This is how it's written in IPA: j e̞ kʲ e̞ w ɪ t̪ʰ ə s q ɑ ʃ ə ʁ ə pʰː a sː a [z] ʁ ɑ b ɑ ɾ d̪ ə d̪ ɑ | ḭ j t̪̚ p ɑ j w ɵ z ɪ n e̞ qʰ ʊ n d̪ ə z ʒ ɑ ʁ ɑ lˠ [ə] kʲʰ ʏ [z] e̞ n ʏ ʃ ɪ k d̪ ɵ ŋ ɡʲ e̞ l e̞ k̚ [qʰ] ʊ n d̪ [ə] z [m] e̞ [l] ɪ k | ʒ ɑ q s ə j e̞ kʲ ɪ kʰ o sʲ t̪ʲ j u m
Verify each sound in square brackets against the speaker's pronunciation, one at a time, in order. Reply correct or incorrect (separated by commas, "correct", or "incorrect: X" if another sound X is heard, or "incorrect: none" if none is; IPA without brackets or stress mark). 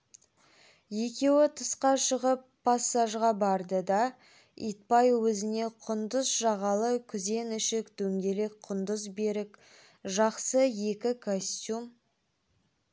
incorrect: ʒ, correct, correct, correct, correct, incorrect: b, incorrect: ɾ